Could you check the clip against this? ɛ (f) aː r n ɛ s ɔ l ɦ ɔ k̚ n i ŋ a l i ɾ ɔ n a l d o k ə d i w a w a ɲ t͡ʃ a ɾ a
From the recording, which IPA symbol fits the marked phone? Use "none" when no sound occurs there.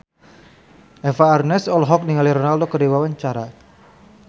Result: f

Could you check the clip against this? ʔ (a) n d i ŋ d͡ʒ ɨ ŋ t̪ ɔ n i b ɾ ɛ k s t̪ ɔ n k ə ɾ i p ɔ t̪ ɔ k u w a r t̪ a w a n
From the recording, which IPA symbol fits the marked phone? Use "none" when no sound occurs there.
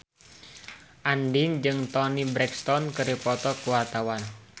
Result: a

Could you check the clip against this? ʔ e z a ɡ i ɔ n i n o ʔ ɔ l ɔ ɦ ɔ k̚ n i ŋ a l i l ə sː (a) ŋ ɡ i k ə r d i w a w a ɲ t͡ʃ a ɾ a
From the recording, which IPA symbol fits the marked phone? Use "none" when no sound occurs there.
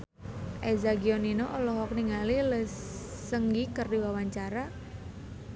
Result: ə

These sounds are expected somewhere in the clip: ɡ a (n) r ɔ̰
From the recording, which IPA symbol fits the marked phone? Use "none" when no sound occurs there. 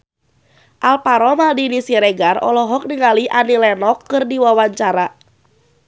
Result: none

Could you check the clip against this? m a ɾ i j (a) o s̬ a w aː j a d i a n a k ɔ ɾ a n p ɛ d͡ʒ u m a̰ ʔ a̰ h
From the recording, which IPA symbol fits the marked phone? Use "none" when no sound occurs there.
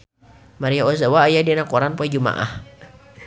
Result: a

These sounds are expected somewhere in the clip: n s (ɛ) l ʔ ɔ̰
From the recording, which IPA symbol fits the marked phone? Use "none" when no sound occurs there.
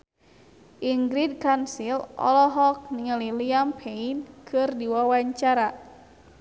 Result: i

